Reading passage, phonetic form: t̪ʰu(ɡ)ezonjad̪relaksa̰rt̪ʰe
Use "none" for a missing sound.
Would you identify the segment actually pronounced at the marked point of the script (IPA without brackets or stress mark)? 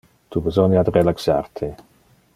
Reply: b